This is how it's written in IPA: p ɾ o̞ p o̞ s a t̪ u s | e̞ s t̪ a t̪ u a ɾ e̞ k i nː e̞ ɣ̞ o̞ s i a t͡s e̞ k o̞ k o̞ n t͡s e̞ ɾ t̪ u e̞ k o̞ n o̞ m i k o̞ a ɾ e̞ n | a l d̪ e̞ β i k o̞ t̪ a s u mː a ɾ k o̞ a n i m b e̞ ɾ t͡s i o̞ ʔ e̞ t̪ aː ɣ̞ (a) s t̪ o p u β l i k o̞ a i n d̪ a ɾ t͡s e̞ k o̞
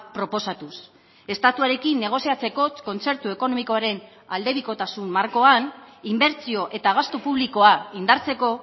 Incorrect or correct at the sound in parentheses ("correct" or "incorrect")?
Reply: correct